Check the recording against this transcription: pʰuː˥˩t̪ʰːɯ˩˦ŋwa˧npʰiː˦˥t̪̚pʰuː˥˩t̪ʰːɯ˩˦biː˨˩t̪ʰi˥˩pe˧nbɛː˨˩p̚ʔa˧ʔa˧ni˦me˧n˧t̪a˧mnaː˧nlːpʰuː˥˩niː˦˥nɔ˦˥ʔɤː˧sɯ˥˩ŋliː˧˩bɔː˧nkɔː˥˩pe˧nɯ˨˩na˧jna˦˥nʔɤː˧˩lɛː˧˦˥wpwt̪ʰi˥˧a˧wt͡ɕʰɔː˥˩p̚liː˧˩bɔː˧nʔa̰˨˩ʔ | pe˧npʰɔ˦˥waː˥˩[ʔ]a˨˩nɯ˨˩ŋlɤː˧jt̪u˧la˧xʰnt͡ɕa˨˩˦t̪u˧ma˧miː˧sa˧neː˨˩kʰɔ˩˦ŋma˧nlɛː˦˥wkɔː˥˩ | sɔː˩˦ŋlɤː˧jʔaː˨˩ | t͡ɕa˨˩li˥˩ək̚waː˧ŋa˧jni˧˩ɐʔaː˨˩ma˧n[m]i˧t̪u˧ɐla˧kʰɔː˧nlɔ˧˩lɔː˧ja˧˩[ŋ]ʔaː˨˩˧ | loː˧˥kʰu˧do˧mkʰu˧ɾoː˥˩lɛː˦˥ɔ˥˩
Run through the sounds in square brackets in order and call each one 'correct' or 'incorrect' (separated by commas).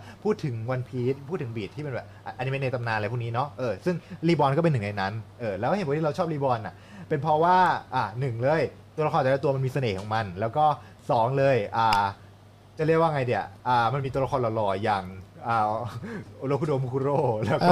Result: correct, correct, correct